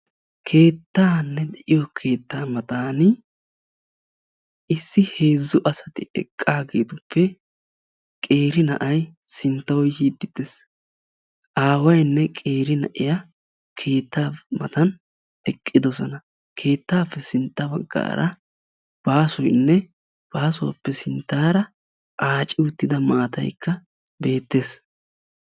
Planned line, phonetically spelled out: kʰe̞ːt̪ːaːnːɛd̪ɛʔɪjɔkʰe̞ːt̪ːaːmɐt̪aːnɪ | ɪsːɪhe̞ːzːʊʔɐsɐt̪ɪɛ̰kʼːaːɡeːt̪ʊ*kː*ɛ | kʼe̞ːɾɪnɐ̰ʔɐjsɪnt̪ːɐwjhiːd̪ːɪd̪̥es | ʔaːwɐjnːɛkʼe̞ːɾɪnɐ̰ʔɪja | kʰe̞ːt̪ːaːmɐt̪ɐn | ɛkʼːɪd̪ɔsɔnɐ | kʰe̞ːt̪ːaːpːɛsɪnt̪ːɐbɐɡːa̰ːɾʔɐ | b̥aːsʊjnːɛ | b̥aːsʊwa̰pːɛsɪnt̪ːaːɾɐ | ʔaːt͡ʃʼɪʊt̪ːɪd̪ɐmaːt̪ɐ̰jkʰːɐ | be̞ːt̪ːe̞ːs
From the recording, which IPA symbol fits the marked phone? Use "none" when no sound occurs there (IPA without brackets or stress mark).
pː